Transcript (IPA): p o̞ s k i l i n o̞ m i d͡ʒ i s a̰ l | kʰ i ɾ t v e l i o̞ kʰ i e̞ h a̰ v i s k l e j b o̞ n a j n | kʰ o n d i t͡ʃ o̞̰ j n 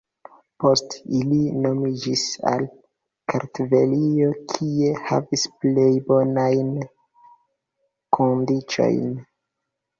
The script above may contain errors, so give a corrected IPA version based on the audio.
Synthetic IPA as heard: p o̞ s t i l i n o̞ m i d͡ʒ i s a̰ l | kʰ a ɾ t v e l i o̞ kʰ i e̞ h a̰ v i s p l e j b o̞ n a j n | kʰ o n d i t͡ʃ o̞̰ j n